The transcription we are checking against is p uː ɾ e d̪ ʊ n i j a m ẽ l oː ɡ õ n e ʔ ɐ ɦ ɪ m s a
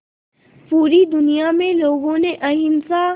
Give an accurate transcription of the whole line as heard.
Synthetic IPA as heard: p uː ɾ i d̪ ʊ n i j a m ẽ l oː ɡ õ n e ʔ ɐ ɦ ɪ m s a